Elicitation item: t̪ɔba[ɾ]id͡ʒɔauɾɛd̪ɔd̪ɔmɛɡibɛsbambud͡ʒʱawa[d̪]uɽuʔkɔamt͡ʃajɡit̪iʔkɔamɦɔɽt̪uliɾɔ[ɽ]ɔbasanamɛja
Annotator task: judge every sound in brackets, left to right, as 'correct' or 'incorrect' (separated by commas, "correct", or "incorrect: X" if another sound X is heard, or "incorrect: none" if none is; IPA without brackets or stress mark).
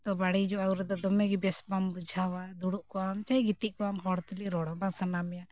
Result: incorrect: ɽ, correct, correct